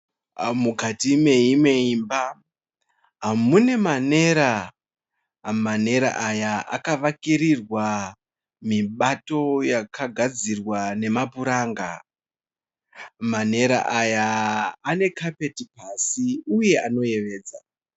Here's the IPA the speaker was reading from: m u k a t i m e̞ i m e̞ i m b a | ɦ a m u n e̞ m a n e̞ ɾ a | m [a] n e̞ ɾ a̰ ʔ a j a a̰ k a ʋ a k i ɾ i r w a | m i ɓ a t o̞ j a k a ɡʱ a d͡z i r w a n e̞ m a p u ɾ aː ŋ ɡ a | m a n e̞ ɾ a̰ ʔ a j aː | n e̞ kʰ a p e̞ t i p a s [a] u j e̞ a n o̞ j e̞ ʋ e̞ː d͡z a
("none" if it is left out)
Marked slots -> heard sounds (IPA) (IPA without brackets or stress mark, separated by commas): a, i